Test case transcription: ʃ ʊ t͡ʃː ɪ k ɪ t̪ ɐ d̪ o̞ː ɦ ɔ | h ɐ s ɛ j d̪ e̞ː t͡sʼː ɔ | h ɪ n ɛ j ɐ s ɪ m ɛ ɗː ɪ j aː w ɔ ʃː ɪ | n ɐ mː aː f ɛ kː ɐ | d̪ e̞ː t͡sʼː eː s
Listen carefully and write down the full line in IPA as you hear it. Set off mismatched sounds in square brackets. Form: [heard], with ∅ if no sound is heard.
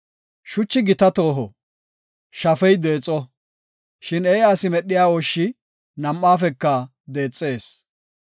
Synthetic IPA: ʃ ʊ t͡ʃː ɪ [ɡ] ɪ t̪ ɐ [t̪] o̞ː ɦ ɔ | [ʃ] ɐ [f] ɛ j d̪ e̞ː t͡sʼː ɔ | [ʃ] ɪ n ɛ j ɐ s ɪ m ɛ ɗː ɪ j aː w ɔ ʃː ɪ | n ɐ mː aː f ɛ kː ɐ | d̪ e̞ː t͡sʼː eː s